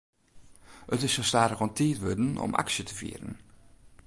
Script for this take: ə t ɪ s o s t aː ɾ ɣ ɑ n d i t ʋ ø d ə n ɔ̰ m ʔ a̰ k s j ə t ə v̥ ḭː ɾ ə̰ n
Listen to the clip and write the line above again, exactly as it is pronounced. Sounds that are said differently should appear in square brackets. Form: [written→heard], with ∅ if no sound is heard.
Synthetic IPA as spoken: ə t ɪ s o s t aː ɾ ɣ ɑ n [d→t] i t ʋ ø d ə n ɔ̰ m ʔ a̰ k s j ə t ə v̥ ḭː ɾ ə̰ n